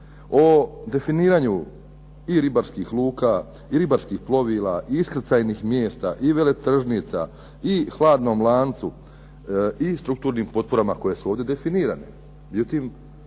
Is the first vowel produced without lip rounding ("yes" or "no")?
no